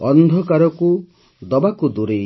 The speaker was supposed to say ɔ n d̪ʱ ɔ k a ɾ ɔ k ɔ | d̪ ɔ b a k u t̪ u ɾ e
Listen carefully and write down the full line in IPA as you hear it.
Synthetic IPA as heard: ɔ n d̪ʱ ɔ k a ɾ ɔ k u | d̪ ɔ b a k u d̪ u ɾ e